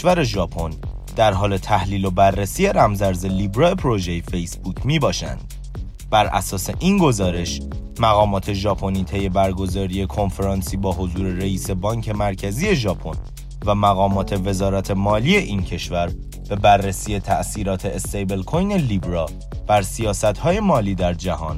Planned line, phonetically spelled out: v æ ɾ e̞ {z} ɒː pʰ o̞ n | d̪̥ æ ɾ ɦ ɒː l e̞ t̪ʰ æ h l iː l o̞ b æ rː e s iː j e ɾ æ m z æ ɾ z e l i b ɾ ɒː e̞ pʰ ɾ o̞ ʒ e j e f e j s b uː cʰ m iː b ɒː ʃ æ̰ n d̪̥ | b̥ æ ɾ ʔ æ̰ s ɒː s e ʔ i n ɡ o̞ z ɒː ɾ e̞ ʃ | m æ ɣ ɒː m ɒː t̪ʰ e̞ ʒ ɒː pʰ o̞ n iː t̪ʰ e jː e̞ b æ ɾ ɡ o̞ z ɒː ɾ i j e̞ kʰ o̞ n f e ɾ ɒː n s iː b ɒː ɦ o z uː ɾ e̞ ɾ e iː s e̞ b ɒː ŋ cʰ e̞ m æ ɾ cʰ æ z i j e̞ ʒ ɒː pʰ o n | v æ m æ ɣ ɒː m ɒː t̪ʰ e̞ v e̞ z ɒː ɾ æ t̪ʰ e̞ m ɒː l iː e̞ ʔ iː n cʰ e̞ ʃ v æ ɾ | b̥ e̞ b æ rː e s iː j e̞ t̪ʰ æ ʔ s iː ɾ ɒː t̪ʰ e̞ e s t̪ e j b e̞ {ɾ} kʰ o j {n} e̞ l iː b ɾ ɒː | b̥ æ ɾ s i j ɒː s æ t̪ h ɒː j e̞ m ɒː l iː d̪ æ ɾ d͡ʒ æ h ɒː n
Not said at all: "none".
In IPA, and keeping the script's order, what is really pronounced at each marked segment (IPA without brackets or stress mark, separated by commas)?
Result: ʒ, l, n